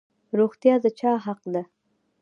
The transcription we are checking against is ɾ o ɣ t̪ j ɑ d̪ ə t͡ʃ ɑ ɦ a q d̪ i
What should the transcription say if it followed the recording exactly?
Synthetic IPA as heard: ɾ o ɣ t̪ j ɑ d̪ ə t͡ʃ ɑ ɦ a q d̪ a